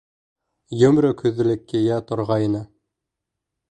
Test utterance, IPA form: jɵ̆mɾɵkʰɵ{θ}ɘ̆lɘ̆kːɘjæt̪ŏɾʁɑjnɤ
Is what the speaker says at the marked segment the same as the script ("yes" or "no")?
no